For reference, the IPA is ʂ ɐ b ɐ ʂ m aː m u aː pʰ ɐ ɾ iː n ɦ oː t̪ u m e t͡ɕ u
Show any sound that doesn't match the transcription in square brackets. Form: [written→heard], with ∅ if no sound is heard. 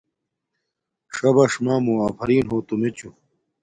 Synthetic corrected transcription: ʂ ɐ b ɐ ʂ m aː m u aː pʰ ɐ ɾ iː n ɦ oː t̪ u m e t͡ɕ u